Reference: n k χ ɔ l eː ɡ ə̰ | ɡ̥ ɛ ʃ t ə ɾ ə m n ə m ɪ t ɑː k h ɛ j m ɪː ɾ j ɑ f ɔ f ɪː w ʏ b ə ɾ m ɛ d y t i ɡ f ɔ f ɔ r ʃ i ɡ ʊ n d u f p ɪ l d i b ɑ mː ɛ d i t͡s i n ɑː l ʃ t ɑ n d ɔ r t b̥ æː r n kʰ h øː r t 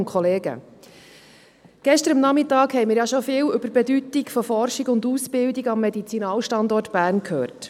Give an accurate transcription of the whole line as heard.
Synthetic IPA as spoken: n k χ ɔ l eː ɡ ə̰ | ɡ̥ ɛ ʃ t ə ɾ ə m n ɑ m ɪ t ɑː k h ɛ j m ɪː ɾ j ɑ ʃ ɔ f ɪː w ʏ b ə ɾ b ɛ d y t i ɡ f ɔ f ɔ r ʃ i ɡ ʊ n d u s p ɪ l d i ɡ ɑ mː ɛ d i t͡s i n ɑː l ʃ t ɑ n d ɔ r t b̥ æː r n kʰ h øː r t